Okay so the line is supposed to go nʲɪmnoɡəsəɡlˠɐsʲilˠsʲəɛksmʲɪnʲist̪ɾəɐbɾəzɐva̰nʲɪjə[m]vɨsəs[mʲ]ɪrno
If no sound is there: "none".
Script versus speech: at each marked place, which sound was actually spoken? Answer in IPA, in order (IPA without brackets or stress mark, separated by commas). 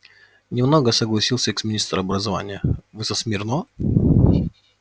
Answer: none, mʲ